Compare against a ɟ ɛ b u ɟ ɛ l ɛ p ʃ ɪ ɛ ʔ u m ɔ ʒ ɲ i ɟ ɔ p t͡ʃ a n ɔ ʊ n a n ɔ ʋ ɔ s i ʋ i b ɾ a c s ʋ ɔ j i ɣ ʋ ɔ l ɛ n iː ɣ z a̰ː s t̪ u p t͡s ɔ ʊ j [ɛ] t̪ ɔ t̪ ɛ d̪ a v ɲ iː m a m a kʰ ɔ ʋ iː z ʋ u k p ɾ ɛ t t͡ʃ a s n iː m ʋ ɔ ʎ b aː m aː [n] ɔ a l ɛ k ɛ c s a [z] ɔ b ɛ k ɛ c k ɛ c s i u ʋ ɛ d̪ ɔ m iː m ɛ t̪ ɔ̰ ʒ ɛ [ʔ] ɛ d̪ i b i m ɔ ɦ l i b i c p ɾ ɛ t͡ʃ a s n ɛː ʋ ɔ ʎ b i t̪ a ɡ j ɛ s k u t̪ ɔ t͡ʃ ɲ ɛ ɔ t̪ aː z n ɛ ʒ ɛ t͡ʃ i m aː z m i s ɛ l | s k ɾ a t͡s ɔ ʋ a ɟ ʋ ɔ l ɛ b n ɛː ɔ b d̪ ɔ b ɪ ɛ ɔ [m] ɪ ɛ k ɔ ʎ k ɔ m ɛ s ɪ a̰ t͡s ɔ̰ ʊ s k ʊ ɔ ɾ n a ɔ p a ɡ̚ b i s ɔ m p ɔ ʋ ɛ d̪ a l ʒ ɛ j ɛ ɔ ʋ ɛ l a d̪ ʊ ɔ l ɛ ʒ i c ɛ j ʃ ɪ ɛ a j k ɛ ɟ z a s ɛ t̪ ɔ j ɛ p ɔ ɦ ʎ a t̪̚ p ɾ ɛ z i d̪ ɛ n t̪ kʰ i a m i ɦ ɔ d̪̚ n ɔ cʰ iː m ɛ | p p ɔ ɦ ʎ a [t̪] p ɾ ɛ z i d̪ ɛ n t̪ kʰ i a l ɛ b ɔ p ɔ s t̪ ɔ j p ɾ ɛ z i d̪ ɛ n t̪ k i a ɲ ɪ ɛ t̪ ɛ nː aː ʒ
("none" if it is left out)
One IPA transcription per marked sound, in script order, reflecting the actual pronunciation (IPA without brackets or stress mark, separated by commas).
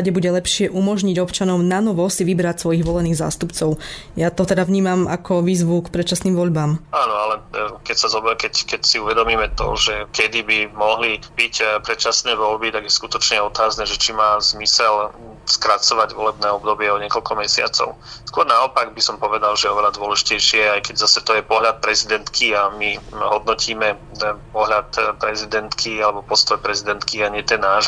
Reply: a, n, z, k, ɲ, t̪